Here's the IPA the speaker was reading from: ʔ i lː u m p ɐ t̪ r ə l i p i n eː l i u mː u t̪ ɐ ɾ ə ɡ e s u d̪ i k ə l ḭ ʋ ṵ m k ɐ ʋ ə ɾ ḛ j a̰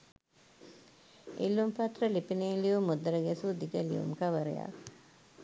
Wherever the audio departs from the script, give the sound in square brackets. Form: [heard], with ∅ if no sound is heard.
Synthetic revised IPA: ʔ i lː u m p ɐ t̪ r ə l i p i n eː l i u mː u [d̪] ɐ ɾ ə ɡ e s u d̪ i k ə l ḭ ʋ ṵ m k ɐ ʋ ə ɾ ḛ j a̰

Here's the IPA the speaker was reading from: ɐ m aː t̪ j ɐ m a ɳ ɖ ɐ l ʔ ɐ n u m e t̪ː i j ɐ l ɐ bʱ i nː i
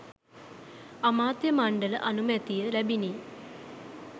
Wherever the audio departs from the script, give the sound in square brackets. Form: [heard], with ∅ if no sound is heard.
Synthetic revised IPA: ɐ m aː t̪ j ɐ m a ɳ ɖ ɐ l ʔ ɐ n u m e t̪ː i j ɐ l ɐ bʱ i [n] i

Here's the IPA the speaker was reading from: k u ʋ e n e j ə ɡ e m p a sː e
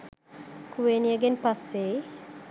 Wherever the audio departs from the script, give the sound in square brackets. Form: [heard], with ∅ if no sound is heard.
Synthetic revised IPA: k u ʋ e n [i] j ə ɡ e [n] p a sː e

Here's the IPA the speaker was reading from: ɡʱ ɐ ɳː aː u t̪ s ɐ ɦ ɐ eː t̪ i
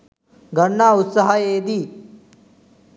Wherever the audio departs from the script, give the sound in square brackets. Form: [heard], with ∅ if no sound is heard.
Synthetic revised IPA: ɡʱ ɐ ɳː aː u t̪ s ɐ ɦ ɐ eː [d̪] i

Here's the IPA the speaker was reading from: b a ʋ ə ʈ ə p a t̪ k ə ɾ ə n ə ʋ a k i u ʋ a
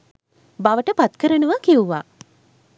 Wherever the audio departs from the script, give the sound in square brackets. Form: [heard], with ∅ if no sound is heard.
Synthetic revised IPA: b a ʋ ə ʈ ə p a t̪ k ə ɾ ə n ə ʋ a k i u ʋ a

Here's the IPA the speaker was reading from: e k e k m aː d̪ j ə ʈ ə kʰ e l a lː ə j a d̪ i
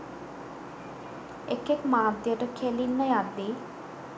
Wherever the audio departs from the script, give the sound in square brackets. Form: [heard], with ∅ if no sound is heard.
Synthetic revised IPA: e k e k m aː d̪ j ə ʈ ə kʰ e l [i] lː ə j a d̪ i

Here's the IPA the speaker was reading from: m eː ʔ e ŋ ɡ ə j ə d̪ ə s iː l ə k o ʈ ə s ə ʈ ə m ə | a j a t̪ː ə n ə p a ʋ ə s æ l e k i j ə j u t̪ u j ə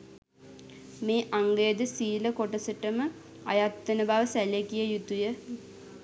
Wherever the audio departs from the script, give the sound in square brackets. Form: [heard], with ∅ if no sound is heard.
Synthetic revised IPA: m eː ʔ [a] ŋ ɡ ə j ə d̪ ə s iː l ə k o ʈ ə s ə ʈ ə m ə | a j a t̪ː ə n ə [b] a ʋ ə s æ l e k i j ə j u t̪ u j ə

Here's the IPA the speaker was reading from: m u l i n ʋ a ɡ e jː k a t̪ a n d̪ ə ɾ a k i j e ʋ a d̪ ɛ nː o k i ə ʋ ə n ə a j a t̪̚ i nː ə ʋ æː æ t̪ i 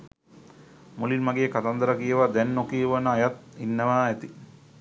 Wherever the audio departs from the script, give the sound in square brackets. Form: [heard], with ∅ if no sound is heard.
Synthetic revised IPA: m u l i n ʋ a ɡ e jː k a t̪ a n d̪ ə ɾ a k i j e ʋ a d̪ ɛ nː o k i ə ʋ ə n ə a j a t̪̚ i nː ə ʋ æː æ t̪ i

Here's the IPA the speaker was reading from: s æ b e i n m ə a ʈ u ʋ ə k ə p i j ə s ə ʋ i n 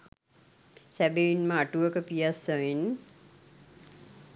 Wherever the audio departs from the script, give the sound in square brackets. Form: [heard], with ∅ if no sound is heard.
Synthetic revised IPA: s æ b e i n m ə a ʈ u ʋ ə k ə p i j [a] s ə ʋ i n

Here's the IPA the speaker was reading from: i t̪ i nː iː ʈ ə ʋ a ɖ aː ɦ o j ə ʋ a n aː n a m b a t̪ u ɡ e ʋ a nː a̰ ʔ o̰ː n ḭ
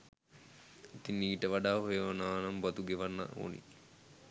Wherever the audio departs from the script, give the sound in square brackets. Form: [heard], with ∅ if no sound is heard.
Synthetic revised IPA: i t̪ i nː iː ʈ ə ʋ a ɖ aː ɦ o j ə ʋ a n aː n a m b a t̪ u ɡ e ʋ a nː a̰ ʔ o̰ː n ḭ

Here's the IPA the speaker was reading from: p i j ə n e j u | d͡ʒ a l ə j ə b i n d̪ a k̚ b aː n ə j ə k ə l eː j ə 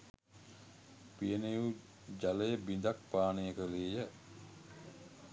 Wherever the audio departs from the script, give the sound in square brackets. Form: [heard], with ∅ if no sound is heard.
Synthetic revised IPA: p i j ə n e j u | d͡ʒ a l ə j ə b i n d̪ a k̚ [p] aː n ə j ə k ə l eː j ə

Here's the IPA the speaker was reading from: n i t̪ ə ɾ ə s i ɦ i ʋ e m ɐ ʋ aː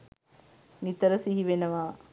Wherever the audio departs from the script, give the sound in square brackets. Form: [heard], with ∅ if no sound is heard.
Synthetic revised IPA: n i t̪ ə ɾ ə s i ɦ i ʋ e [n] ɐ ʋ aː

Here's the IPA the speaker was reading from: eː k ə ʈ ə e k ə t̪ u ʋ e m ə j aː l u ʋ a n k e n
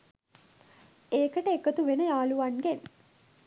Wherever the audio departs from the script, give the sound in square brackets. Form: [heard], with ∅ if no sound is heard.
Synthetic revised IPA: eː k ə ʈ ə e k ə t̪ u ʋ e [n] ə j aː l u ʋ a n [ɡ] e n

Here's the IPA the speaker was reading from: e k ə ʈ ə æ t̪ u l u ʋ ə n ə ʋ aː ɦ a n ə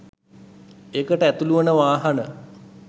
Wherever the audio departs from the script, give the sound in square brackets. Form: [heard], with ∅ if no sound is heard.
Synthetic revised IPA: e k ə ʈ ə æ t̪ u l u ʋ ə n ə ʋ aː ɦ a n ə

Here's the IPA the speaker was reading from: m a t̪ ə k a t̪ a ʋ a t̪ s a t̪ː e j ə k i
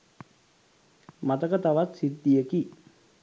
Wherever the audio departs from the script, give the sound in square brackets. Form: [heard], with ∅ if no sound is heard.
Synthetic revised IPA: m a t̪ ə k [ə] t̪ a ʋ a t̪ s [i] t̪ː [i] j ə k i

